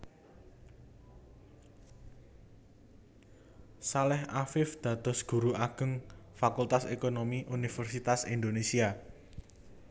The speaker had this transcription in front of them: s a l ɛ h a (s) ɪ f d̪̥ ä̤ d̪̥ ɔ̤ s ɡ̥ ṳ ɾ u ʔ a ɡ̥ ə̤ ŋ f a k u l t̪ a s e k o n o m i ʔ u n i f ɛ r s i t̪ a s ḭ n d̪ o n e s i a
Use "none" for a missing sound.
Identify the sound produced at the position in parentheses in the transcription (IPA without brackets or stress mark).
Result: f